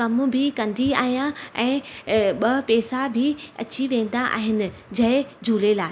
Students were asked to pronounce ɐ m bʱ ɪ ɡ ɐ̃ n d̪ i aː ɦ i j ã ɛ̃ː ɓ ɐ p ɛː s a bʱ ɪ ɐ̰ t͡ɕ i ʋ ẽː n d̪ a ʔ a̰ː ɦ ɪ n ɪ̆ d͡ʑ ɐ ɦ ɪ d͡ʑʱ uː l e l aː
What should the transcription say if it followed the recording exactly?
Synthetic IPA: ɐ m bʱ ɪ k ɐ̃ n d̪ i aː ɦ i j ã ɛ̃ː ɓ ɐ p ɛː s a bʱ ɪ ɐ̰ t͡ɕ i ʋ ẽː n d̪ a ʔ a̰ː ɦ ɪ n ɪ̆ d͡ʑ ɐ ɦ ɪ d͡ʑʱ uː l e l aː

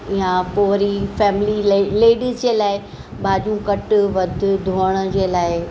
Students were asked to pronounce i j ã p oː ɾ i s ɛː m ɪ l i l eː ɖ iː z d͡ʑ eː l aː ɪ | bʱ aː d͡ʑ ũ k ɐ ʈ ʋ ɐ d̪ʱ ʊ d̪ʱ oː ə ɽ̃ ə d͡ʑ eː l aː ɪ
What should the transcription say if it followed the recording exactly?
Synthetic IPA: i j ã p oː ɾ i f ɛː m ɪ l i l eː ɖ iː z d͡ʑ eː l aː ɪ | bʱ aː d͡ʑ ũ k ɐ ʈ ʋ ɐ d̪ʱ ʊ d̪ʱ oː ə ɽ̃ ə d͡ʑ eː l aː ɪ

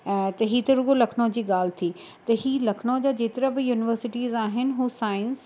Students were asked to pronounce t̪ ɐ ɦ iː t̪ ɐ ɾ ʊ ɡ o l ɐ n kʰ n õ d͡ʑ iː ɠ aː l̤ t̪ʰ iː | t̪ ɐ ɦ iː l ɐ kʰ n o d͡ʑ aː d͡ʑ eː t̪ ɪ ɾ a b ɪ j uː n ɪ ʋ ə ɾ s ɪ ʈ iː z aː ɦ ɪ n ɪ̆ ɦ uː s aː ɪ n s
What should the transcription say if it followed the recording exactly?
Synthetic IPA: t̪ ɐ ɦ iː t̪ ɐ ɾ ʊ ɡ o l ɐ kʰ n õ d͡ʑ iː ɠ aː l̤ t̪ʰ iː | t̪ ɐ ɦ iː l ɐ kʰ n o d͡ʑ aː d͡ʑ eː t̪ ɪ ɾ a b ɪ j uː n ɪ ʋ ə ɾ s ɪ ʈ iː z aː ɦ ɪ n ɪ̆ ɦ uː s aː ɪ n s

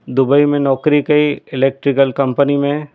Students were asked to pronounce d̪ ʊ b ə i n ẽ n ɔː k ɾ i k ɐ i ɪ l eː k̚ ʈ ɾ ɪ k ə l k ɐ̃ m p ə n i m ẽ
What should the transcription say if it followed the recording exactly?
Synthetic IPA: d̪ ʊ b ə i m ẽ n ɔː k ɾ i k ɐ i ɪ l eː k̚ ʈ ɾ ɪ k ə l k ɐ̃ m p ə n i m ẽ

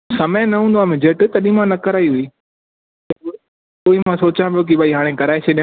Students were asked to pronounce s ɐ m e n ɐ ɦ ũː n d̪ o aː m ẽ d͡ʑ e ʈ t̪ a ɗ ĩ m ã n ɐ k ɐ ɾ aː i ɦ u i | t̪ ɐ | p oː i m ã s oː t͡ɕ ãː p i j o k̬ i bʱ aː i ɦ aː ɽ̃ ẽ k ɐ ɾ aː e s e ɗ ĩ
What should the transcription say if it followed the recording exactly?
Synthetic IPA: s ɐ m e n ɐ ɦ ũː n d̪ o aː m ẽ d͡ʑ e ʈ t̪ ɐ ɗ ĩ m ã n ɐ k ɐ ɾ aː i ɦ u i | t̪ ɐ | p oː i m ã s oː t͡ɕ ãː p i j o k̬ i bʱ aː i ɦ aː ɽ̃ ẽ k ɐ ɾ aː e s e ɗ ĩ

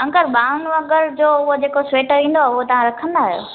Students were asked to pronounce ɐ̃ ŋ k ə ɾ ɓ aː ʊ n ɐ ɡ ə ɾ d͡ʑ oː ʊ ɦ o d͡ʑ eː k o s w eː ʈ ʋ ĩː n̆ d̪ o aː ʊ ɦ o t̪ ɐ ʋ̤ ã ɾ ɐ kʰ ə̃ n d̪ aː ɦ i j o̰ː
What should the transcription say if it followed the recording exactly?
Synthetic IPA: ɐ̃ ŋ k ə ɾ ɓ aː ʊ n ɐ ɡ ə ɾ d͡ʑ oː ʊ ɦ o d͡ʑ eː k o s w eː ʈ ʋ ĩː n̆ d̪ o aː ʊ ɦ o t̪ ɐ ʋ̤ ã ɾ ɐ kʰ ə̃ n d̪ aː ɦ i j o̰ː

